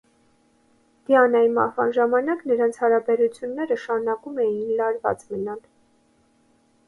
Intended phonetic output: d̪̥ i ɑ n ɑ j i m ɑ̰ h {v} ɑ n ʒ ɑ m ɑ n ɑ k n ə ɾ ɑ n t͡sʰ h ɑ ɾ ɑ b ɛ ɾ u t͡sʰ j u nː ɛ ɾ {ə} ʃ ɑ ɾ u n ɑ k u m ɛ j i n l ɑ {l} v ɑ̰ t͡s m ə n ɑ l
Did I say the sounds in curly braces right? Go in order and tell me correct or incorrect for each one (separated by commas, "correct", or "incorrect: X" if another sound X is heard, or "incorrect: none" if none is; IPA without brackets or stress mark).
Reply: correct, correct, incorrect: ɾ